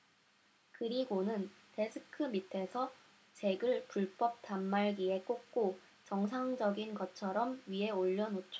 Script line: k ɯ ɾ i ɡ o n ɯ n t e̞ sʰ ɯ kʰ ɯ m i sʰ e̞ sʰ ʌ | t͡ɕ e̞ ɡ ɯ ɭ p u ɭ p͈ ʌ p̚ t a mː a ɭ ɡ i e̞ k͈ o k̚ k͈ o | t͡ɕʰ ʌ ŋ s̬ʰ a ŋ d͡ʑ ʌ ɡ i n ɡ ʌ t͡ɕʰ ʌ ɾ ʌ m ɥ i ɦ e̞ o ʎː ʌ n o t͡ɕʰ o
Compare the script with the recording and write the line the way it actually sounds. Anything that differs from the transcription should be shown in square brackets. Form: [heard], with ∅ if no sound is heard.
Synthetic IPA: k ɯ ɾ i ɡ o n ɯ n t e̞ sʰ ɯ kʰ ɯ m i [tʰ] e̞ sʰ ʌ | t͡ɕ e̞ ɡ ɯ ɭ p u ɭ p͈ ʌ p̚ t a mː a ɭ ɡ i e̞ k͈ o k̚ k͈ o | [t͡ɕ] ʌ ŋ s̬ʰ a ŋ d͡ʑ ʌ ɡ i n ɡ ʌ t͡ɕʰ ʌ ɾ ʌ m ɥ i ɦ e̞ o ʎː ʌ n o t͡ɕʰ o